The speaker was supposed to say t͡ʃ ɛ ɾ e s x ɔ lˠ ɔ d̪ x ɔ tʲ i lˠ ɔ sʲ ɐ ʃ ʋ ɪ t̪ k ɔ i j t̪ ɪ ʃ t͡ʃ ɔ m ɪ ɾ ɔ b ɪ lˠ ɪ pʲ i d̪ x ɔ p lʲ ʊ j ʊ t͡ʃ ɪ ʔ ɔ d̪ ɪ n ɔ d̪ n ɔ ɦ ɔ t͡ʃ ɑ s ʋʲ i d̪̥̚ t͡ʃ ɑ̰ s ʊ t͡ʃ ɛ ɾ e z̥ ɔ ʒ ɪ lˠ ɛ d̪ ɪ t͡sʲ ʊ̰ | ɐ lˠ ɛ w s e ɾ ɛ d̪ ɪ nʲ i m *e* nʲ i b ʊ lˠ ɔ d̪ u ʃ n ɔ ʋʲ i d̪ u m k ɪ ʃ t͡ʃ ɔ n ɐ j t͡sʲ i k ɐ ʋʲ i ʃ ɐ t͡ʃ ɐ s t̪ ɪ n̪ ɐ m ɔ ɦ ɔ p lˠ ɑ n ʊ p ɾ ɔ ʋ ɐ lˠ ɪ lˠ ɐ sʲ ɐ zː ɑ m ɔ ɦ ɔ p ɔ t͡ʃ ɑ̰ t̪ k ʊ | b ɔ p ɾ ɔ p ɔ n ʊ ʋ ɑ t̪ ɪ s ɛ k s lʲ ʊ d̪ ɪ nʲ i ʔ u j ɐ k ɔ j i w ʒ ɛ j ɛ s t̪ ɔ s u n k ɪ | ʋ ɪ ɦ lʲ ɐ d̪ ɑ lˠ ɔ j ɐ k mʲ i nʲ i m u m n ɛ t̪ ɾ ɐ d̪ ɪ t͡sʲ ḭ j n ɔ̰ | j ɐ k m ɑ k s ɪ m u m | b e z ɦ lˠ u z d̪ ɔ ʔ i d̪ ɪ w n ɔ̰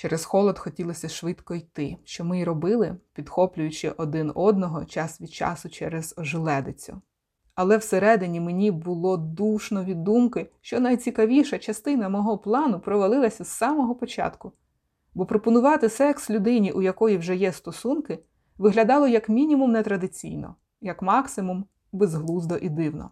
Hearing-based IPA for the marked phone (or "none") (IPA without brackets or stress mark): e